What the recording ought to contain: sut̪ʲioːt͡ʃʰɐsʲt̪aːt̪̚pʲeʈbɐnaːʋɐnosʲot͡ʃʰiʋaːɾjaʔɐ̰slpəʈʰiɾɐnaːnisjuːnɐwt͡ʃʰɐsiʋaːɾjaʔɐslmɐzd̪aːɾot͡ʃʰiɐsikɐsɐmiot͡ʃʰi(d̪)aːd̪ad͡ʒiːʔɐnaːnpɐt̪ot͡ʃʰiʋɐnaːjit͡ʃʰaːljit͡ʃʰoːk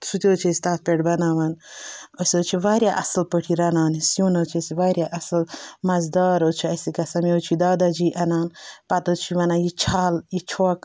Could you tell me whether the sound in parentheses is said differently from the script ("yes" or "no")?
no